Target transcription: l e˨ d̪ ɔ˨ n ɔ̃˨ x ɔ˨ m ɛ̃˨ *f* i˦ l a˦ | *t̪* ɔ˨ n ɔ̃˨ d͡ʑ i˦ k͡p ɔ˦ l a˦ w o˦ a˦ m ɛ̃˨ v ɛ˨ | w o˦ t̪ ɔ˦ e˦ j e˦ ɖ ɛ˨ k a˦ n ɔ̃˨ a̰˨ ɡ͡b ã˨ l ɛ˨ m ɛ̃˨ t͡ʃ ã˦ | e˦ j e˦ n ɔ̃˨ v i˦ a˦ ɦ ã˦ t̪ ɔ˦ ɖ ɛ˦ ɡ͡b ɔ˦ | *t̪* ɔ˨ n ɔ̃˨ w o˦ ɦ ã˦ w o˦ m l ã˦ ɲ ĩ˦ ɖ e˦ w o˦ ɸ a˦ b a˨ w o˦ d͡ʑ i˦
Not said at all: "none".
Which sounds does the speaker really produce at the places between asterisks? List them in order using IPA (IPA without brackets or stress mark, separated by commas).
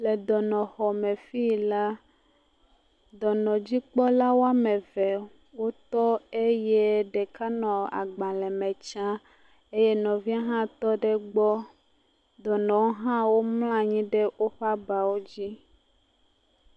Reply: f, d̪, d̪